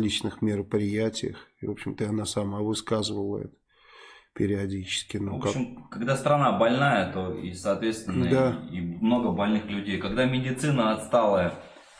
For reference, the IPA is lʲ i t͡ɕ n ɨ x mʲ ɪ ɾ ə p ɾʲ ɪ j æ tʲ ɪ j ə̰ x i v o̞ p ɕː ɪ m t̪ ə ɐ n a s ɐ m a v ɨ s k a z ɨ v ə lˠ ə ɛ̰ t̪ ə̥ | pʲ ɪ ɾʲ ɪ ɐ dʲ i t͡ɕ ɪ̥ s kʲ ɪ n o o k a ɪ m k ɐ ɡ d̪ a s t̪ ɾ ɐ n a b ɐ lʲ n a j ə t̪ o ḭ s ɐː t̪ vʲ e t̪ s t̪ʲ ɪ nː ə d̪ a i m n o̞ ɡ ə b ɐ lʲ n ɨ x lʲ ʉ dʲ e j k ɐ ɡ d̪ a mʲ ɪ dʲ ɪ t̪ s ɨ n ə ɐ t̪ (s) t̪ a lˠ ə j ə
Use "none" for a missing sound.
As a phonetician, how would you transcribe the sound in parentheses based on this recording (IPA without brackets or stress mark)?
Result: s